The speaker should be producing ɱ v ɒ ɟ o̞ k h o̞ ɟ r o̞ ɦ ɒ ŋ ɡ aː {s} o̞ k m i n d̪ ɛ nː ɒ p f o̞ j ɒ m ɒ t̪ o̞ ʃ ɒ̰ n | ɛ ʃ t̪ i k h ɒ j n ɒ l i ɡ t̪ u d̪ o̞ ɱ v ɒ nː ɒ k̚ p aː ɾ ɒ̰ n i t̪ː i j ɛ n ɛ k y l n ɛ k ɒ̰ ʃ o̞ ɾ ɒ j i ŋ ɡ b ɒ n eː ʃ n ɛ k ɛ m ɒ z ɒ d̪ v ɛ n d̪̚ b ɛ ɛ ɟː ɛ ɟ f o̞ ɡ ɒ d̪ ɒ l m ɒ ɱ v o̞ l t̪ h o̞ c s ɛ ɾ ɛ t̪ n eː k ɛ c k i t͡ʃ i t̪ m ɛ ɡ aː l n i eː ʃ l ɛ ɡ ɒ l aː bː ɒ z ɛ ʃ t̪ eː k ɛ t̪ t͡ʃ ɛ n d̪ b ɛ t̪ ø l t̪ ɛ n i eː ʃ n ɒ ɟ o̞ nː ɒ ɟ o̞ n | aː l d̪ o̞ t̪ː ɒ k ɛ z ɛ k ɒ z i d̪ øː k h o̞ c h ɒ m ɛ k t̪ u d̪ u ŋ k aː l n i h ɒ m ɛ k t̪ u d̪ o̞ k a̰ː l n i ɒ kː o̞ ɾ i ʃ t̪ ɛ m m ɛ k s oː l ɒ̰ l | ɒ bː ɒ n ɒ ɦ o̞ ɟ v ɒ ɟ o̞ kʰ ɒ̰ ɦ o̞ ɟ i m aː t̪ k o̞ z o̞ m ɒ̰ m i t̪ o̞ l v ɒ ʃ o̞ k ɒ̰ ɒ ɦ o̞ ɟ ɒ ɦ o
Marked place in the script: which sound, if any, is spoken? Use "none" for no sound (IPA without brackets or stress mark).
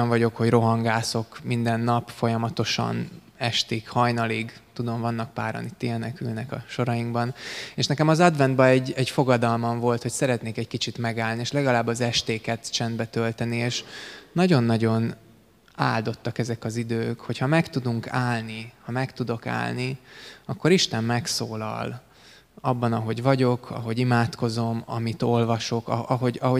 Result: s